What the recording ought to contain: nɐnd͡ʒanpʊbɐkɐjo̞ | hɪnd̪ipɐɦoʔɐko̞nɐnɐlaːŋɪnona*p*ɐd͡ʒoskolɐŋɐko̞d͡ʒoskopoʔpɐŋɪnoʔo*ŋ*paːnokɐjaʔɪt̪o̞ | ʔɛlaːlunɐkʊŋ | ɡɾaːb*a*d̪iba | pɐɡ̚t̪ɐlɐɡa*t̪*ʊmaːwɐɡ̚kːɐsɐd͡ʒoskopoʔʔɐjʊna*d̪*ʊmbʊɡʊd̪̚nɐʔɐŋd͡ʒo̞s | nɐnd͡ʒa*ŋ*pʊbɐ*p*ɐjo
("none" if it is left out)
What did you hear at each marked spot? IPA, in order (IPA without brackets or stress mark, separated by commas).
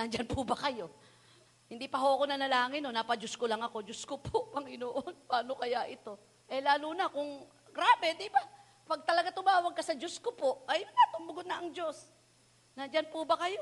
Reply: p, n, ɛ, t̪, t̪, n, k